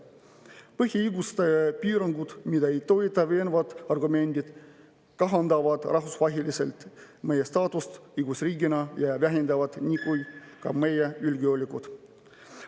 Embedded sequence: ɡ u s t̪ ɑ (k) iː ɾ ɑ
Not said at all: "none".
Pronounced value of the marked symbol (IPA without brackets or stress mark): p